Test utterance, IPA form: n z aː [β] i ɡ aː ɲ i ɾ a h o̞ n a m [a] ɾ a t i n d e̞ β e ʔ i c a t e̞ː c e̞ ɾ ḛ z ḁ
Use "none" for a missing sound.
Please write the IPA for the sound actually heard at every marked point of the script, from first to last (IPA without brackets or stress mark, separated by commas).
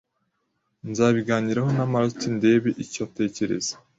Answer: β, a